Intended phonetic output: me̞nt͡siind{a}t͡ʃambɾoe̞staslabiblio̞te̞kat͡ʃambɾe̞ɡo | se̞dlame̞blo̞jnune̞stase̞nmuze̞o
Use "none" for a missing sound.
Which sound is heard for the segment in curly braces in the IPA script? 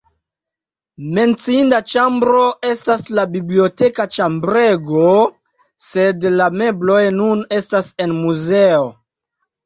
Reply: a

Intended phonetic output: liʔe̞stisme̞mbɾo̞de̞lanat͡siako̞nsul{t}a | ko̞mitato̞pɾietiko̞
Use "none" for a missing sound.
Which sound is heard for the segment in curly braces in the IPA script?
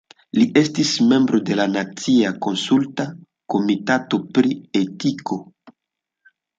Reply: t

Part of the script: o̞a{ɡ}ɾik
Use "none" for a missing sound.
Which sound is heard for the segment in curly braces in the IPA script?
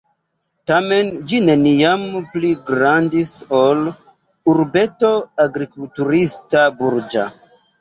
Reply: ɡ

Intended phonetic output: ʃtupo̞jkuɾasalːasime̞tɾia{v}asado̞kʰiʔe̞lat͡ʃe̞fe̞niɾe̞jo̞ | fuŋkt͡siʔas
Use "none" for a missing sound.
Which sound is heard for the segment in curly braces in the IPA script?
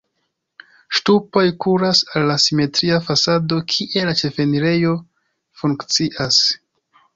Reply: f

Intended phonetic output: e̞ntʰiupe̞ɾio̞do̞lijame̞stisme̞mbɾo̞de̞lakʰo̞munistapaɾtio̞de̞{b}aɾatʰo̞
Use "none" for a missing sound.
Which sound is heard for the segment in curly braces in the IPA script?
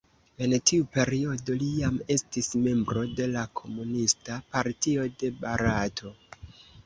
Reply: b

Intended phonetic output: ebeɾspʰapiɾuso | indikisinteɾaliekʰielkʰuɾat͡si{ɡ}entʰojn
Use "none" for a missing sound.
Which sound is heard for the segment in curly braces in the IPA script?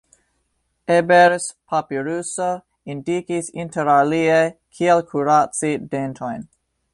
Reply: d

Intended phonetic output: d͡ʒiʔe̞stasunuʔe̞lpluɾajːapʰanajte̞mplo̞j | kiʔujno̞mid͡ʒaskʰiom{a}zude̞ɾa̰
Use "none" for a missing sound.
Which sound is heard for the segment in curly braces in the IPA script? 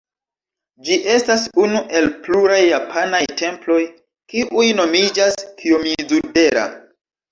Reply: i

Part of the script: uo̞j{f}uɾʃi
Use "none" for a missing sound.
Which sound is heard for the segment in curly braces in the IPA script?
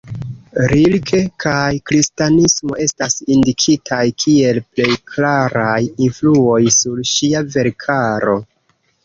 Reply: s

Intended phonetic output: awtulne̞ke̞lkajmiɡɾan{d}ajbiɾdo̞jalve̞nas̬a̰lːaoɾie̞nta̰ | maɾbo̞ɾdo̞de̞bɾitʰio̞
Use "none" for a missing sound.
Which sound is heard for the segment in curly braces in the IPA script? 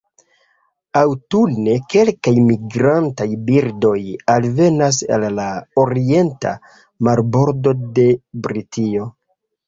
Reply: t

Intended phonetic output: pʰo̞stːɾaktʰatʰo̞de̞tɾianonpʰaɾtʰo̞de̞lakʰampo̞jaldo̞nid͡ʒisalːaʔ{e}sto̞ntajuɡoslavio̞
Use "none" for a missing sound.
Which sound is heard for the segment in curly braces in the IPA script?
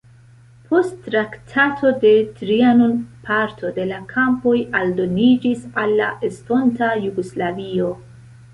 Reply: e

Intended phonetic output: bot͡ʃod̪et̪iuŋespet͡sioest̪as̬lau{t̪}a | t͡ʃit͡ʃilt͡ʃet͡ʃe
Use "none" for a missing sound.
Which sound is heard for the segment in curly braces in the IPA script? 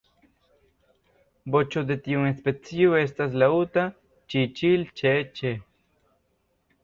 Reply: t̪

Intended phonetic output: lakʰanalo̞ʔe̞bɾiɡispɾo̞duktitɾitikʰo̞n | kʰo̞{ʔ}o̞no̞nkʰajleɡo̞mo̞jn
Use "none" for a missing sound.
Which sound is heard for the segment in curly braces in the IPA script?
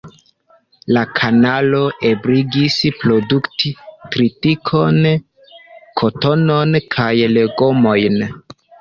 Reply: t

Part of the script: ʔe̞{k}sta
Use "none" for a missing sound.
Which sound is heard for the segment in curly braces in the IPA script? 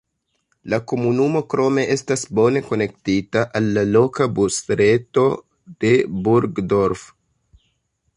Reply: none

